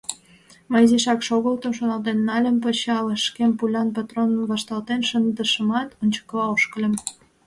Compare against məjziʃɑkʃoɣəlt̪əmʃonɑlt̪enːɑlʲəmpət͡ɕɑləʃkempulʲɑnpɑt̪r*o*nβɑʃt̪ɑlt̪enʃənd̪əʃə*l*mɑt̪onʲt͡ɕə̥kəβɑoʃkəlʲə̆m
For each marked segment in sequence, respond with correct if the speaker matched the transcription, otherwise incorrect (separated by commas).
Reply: correct, incorrect